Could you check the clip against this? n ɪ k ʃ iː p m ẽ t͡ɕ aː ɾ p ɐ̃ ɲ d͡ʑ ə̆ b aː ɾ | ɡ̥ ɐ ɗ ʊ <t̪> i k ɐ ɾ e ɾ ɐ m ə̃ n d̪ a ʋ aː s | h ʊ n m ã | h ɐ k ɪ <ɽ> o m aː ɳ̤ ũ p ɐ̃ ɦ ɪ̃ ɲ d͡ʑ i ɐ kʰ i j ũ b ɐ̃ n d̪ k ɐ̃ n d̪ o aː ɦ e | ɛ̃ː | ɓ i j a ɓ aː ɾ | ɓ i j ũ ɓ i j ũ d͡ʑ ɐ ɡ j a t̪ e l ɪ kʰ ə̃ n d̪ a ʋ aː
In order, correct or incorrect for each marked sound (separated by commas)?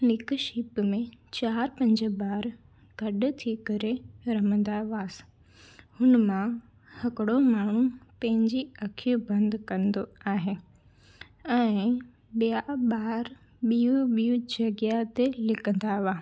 incorrect, correct